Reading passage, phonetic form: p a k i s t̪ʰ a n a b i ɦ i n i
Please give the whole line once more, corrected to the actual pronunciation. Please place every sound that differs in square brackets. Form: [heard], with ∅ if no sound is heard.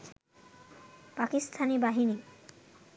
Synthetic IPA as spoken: p a k i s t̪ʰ a n [i] b [a] ɦ i n i